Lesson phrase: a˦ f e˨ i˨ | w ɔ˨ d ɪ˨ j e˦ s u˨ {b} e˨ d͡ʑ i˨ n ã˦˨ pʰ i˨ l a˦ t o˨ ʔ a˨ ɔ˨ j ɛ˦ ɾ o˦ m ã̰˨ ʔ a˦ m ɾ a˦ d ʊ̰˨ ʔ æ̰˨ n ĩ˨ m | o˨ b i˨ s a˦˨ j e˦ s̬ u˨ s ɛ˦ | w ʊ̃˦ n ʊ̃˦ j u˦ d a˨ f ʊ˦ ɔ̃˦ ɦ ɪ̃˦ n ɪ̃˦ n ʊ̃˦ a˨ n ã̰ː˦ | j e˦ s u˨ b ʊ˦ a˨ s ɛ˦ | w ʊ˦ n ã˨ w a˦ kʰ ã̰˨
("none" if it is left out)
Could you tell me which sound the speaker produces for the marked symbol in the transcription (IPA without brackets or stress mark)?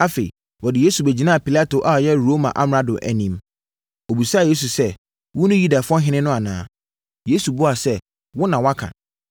b